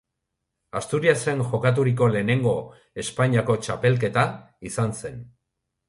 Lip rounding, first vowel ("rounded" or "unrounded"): unrounded